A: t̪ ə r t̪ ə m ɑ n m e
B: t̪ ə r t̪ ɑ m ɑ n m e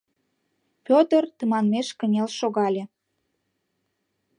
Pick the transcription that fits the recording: A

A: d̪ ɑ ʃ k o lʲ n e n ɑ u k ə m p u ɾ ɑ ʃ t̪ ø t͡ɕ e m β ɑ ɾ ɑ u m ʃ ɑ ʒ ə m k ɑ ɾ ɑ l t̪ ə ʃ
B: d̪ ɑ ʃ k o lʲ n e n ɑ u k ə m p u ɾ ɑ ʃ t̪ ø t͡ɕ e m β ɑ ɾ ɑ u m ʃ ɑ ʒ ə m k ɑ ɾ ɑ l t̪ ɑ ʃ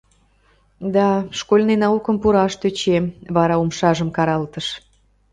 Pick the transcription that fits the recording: A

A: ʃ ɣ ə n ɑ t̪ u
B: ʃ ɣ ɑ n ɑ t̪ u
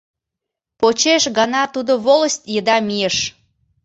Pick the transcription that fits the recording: B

